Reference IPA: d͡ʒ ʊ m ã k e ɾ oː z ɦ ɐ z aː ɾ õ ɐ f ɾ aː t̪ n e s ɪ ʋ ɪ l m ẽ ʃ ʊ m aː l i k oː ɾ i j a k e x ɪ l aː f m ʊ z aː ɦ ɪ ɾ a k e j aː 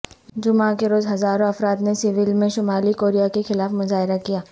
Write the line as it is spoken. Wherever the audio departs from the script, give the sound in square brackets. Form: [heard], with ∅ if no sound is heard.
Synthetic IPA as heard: d͡ʒ ʊ m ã k e ɾ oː z ɦ ɐ z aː ɾ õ ɐ f ɾ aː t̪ n e s ɪ ʋ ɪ l m ẽ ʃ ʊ m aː l i k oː ɾ i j a k e x ɪ l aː f m ʊ z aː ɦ ɪ ɾ a k [i] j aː

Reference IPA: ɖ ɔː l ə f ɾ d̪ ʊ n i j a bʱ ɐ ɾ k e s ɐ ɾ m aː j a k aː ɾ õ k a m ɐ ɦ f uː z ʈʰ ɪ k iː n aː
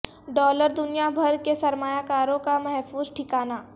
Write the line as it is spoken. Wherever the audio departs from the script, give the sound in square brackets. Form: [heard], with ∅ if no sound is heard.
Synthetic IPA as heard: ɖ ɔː l ə [∅] ɾ d̪ ʊ n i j a bʱ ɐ ɾ k e s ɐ ɾ m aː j a k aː ɾ õ k a m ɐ ɦ f uː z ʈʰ ɪ k [aː] n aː

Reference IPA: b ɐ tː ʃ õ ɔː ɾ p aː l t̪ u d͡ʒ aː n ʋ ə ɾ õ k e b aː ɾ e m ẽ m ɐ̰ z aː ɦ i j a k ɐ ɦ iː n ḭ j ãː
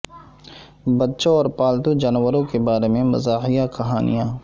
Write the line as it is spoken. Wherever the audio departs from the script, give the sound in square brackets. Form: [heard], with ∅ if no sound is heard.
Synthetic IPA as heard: b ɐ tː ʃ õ ɔː ɾ p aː l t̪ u d͡ʒ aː n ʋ ə ɾ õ k e b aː ɾ e m ẽ m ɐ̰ z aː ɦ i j a k ɐ ɦ [aː] n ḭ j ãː

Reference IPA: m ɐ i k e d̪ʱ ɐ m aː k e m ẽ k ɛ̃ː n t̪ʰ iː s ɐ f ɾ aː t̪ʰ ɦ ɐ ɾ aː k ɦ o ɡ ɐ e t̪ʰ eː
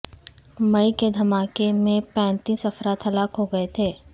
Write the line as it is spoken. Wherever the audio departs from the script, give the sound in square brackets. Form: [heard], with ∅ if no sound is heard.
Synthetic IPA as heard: m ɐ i k e d̪ʱ ɐ m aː k e m ẽ [p] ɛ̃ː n [t̪] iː s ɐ f ɾ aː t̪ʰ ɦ ɐ [l] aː k ɦ o ɡ ɐ e t̪ʰ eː

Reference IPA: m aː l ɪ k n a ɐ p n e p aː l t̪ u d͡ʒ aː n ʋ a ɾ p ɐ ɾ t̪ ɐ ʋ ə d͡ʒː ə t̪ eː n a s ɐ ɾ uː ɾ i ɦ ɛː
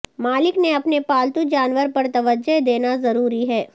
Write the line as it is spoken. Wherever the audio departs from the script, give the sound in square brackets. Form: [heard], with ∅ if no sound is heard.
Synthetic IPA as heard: m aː l ɪ k n [e] ɐ p n e p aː l t̪ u d͡ʒ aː n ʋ [ə] ɾ p ɐ ɾ t̪ ɐ ʋ ə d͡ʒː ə [d̪] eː n a [z] ɐ ɾ uː ɾ i ɦ ɛː

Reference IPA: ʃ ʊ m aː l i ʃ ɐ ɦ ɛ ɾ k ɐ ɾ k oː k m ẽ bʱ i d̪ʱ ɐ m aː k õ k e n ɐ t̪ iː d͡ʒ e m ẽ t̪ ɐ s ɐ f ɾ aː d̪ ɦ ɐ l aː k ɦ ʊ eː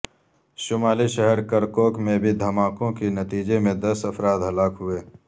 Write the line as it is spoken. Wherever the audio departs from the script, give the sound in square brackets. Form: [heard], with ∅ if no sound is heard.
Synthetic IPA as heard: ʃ ʊ m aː l i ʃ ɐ ɦ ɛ ɾ k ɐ ɾ k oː k m ẽ bʱ i d̪ʱ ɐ m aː k õ k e n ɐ t̪ iː d͡ʒ e m ẽ [d̪] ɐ s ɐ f ɾ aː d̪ ɦ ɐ l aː k ɦ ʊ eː

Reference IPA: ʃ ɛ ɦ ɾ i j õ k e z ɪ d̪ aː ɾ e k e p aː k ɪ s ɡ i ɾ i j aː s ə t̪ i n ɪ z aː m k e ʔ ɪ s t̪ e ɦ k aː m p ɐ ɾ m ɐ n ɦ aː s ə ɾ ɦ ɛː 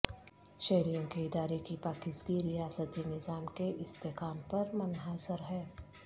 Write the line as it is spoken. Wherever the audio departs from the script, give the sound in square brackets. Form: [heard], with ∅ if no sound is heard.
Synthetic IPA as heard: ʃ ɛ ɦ ɾ i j õ k e [∅] ɪ d̪ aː ɾ e k [i] p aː k ɪ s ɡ i ɾ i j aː s ə t̪ i n ɪ z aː m k e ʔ ɪ s t̪ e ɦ k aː m p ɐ ɾ m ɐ n ɦ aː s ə ɾ ɦ ɛː

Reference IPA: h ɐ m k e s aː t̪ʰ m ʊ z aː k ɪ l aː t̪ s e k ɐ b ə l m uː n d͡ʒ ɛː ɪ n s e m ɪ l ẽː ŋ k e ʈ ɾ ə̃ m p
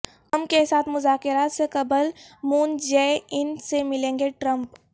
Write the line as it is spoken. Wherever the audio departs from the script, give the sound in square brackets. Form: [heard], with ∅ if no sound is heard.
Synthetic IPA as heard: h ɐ m k e s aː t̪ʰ m ʊ z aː k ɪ [ɾ] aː t̪ s e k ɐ b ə l m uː n d͡ʒ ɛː ɪ n s e m ɪ l ẽː ŋ [ɡ] e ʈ ɾ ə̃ m p

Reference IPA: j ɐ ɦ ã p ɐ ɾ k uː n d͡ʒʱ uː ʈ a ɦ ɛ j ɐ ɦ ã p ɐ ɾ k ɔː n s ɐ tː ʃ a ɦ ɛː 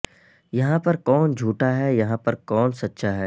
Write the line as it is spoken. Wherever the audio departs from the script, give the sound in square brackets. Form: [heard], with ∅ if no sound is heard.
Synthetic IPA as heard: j ɐ ɦ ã p ɐ ɾ k [ɔː] n d͡ʒʱ uː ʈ a ɦ ɛ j ɐ ɦ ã p ɐ ɾ k ɔː n s ɐ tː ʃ a ɦ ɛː

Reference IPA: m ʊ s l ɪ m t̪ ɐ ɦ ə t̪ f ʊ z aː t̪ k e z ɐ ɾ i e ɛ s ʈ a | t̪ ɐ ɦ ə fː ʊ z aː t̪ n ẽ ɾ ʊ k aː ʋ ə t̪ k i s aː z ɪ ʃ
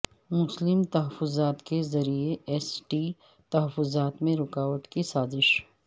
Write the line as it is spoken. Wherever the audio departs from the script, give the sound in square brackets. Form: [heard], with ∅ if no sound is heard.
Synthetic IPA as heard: m ʊ s l ɪ m t̪ ɐ ɦ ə [∅] f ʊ z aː t̪ k e z ɐ ɾ i e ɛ s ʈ [i] | t̪ ɐ ɦ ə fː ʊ z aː t̪ [m] ẽ ɾ ʊ k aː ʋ ə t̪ k i s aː z ɪ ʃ

